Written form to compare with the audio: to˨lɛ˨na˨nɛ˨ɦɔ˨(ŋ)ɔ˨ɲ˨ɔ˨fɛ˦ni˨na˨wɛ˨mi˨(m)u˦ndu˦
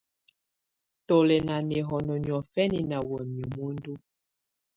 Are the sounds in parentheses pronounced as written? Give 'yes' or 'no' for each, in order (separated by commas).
no, yes